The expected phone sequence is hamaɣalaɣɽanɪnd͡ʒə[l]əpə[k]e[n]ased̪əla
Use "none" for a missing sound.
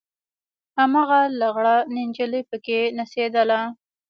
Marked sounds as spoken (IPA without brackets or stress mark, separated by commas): l, k, n